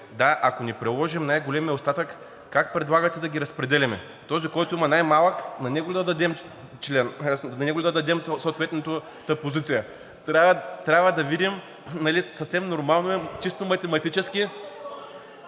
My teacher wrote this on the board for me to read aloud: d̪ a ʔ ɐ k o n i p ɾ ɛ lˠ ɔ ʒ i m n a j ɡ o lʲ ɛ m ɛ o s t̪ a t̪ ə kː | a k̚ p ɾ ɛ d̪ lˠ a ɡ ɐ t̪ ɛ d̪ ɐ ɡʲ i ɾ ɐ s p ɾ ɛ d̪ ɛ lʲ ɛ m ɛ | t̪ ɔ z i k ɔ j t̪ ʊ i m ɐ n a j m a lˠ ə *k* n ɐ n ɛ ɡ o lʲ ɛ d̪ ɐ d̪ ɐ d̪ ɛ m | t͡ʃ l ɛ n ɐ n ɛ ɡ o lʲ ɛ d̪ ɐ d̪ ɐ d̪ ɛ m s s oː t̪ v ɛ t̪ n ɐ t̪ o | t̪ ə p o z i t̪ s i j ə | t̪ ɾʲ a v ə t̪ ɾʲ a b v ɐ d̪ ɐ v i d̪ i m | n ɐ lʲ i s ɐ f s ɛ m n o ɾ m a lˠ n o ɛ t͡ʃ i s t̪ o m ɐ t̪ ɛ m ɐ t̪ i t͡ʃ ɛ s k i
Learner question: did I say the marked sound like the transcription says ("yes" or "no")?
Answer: yes